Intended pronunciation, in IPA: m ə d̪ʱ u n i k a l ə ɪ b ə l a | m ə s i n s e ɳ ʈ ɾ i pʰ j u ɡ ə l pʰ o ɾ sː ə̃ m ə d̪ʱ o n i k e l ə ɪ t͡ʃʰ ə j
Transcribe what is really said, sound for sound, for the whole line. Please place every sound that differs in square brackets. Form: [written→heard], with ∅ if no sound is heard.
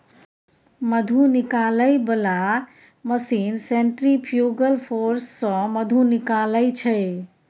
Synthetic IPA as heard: m ə d̪ʱ u n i k a l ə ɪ b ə l a | m ə s i n s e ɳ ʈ ɾ i pʰ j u ɡ ə l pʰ o ɾ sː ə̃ m ə d̪ʱ [o→u] n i k [e→a] l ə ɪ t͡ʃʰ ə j